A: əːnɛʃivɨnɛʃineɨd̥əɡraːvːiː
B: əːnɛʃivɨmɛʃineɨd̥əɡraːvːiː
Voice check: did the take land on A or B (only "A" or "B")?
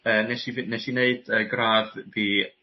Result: A